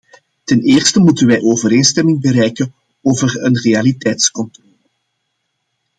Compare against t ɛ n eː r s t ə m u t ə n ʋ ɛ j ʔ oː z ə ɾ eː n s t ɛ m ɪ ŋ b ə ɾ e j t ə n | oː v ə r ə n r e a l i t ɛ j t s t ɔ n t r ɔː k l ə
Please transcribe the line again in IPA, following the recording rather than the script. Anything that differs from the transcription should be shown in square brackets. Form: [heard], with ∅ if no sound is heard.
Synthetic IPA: t ɛ n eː r s t ə m u t ə n ʋ ɛ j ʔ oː [v] ə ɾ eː n s t ɛ m ɪ ŋ b ə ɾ [ɛ] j [k] ə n | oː v ə r ə n r e a l i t ɛ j t s [k] ɔ n t r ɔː [∅] l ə